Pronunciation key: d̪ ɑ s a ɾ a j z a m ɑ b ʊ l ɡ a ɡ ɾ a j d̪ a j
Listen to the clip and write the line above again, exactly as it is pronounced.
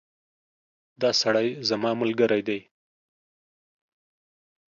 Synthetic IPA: d̪ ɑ s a ɽ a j z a m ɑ m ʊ l ɡ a ɾ a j d̪ a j